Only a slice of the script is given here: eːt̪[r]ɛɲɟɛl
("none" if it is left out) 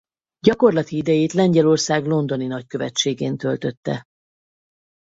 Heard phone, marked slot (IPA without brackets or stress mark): l